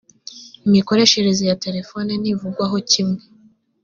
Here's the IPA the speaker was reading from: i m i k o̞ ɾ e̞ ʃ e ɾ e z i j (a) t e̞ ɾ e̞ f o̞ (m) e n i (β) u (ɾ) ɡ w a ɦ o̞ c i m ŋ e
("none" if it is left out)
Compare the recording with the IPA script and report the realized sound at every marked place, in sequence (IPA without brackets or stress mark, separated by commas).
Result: a, n, v, none